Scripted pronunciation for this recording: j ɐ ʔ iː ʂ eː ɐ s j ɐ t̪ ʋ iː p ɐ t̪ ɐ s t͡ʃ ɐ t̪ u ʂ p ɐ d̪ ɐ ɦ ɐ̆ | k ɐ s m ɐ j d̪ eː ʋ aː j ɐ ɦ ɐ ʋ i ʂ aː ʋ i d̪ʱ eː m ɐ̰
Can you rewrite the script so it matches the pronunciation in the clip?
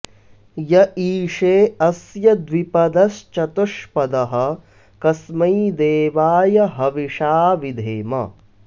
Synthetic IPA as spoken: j ɐ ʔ iː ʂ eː ɐ s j ɐ d̪ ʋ i p ɐ d̪ ɐ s t͡ʃ ɐ t̪ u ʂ p ɐ d̪ ɐ ɦ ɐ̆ | k ɐ s m ɐ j d̪ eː ʋ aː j ɐ ɦ ɐ ʋ i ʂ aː ʋ i d̪ʱ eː m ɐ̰